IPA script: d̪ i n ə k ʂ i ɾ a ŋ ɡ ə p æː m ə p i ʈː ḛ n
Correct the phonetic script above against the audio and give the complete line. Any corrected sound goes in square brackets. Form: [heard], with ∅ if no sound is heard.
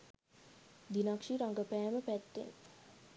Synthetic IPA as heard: d̪ i n [a] k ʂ i ɾ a ŋ ɡ ə p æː m ə p [æ] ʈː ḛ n

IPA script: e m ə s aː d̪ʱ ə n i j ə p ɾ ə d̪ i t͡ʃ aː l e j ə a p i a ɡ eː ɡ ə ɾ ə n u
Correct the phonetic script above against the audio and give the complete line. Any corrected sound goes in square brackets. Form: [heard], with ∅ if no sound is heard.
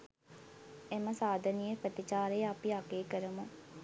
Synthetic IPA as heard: e m ə s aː d̪ʱ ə n i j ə p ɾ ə [t̪] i t͡ʃ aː [ɾ] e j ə a p i a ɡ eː [k] ə ɾ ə [m] u

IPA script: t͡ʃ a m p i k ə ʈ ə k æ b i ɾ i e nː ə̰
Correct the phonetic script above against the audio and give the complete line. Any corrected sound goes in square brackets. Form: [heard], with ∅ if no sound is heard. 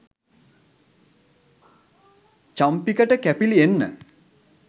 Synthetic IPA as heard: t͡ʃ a m p i k ə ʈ ə k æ [p] i [l] i e nː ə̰

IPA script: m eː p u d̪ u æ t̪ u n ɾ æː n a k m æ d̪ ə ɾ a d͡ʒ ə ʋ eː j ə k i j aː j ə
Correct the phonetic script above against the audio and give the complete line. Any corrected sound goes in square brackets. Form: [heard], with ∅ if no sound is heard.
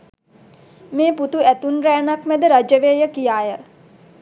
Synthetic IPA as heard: m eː p u [t̪] u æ t̪ u n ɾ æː n a k m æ d̪ ə ɾ a d͡ʒ ə ʋ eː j ə k i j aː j ə

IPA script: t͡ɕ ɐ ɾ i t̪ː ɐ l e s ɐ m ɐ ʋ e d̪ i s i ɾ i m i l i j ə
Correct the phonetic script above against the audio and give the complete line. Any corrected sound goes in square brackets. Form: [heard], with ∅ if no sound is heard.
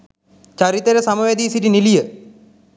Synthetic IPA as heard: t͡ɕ ɐ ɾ i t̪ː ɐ [ɾ] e s ɐ m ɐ ʋ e d̪ i s i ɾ i [n] i l i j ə

